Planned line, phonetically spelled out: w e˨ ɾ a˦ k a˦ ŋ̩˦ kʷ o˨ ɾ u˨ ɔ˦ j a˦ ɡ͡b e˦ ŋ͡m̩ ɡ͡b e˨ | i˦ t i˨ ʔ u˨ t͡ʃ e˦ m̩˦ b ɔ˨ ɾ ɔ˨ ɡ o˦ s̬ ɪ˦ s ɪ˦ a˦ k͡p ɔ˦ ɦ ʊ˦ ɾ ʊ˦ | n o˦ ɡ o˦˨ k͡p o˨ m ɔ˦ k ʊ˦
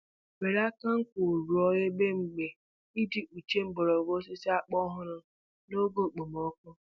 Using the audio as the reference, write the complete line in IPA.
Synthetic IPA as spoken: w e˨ ɾ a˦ k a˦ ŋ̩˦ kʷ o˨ ɾ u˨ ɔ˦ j e˦ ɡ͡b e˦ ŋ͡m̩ ɡ͡b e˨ | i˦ d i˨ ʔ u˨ t͡ʃ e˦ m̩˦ b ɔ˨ ɾ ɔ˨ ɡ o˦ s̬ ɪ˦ s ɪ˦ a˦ k͡p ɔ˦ ɦ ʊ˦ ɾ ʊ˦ | n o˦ ɡ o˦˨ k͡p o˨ m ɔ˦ k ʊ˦